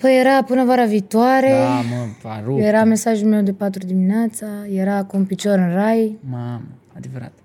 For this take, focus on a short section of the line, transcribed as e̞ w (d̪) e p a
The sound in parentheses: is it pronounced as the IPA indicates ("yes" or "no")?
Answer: yes